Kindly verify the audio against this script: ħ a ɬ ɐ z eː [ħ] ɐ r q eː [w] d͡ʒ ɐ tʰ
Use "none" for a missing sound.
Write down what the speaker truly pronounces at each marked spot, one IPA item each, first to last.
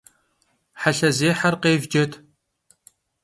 ħ, v

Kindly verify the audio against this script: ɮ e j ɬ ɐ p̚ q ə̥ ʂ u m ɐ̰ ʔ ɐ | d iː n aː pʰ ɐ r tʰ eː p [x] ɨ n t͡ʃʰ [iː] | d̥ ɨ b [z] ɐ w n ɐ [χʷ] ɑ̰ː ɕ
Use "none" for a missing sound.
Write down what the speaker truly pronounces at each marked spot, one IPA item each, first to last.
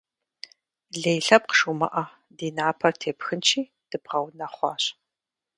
x, iː, ʁ, χʷ

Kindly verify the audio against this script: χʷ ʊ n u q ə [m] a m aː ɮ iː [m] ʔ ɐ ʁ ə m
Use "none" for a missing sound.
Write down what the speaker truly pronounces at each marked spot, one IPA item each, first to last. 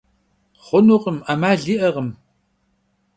m, none

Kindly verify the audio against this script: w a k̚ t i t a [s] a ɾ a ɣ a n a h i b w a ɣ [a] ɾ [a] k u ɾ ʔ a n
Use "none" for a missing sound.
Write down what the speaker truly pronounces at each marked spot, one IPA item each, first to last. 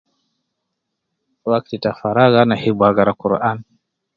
f, a, a

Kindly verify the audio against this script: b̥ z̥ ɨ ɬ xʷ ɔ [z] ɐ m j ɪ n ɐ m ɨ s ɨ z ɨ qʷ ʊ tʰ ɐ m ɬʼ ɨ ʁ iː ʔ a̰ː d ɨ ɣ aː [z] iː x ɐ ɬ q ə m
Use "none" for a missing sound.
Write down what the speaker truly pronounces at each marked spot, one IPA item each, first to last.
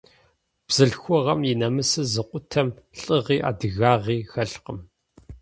ʁ, ʁ

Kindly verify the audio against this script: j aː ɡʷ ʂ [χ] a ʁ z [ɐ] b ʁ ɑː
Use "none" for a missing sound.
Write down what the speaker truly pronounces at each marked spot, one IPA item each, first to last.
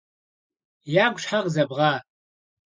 ħ, ɐ

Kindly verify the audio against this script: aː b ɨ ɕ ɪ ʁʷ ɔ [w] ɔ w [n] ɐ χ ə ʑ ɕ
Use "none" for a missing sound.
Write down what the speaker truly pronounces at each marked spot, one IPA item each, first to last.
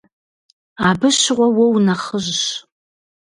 w, n

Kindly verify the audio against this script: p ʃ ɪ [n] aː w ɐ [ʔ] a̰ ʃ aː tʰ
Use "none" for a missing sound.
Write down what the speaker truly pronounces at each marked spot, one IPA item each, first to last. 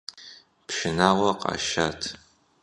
n, q

